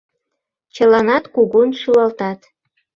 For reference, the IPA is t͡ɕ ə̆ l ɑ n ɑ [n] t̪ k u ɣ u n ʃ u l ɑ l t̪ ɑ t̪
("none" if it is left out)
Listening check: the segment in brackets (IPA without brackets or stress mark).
none